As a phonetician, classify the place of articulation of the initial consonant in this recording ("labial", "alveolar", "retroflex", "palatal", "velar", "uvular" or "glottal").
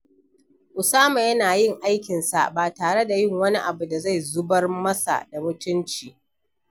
glottal